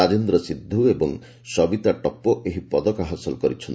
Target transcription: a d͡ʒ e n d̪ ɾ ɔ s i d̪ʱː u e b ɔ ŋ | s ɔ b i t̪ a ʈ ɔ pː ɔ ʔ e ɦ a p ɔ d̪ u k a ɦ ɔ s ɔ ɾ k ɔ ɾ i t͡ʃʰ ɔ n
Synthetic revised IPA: a d͡ʒ e n d̪ ɾ ɔ s i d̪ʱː u e b ɔ ŋ | s ɔ b i t̪ a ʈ ɔ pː ɔ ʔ e ɦ i p ɔ d̪ ɔ k a ɦ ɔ s ɔ l k ɔ ɾ i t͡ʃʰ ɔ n